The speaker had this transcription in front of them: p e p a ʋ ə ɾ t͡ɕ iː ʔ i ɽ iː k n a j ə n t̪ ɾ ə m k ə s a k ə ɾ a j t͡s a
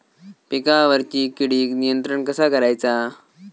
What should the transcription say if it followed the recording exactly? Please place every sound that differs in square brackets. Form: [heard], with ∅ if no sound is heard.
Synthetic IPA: p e [k] a ʋ ə ɾ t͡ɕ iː [k] i ɽ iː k n [i] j ə n t̪ ɾ ə [ɳ] k ə s a k ə ɾ a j t͡s a